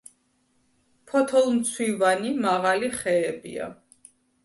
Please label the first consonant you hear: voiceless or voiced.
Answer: voiceless